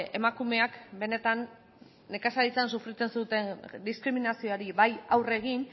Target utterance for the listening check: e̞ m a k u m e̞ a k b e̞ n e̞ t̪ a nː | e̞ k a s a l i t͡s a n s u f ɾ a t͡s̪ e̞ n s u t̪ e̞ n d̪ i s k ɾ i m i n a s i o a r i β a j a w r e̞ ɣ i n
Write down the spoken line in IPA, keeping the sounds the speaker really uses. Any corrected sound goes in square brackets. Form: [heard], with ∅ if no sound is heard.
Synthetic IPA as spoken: e̞ m a k u m e̞ a k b e̞ n e̞ t̪ a nː | e̞ k a s a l i t͡s a n s u f ɾ [i] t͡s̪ e̞ n s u t̪ e̞ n d̪ i s k ɾ i m i n a s i o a [ɾ] i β a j a w r e̞ ɣ i n